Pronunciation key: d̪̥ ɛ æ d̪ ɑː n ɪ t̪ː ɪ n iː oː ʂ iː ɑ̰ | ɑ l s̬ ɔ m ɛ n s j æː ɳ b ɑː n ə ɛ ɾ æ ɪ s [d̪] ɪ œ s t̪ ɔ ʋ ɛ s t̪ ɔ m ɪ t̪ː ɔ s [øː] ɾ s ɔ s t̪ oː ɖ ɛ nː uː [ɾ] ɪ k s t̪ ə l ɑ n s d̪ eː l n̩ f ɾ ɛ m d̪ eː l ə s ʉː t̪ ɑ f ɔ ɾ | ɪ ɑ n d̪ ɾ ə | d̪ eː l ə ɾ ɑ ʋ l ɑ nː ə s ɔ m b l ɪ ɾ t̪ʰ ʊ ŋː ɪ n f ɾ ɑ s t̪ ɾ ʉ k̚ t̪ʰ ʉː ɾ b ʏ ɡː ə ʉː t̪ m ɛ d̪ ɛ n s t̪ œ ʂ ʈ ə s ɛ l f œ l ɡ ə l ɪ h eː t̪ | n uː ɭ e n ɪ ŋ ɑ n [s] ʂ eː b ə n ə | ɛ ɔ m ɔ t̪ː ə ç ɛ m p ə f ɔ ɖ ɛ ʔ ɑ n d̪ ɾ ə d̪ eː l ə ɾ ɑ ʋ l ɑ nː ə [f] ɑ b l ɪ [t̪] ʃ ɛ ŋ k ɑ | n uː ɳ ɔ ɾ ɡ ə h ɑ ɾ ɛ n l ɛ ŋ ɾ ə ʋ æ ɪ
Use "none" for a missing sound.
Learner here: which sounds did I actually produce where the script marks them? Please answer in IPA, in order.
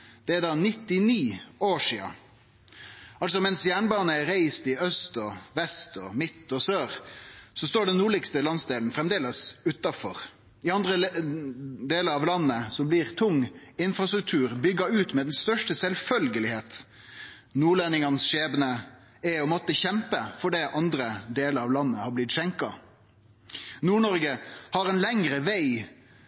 t̪, øː, ɭ, s, h, t̪

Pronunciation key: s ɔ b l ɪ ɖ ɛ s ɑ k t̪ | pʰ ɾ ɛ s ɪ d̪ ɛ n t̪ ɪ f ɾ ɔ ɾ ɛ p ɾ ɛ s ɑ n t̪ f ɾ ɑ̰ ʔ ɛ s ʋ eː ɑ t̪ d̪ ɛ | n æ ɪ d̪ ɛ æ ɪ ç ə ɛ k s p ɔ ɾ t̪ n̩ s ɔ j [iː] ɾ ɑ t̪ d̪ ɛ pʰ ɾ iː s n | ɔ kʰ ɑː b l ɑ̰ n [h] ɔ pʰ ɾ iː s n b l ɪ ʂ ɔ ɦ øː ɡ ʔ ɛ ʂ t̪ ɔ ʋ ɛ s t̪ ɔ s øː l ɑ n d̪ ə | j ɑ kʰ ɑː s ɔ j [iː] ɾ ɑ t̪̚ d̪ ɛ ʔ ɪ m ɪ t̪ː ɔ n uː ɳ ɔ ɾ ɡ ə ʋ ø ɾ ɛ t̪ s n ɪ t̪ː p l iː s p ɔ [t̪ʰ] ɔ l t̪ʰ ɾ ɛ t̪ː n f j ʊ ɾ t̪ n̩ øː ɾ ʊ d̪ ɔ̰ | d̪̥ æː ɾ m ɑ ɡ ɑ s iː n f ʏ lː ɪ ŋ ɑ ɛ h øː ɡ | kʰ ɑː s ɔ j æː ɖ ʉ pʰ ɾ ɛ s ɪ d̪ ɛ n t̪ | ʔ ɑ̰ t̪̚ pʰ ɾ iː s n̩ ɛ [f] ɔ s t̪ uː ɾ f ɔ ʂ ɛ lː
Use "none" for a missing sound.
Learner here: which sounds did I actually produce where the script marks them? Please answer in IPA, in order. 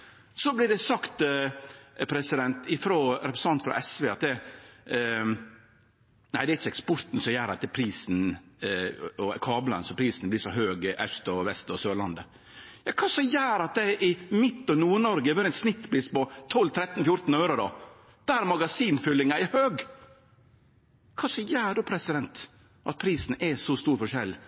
æː, s, æː, t̪ʰ, s

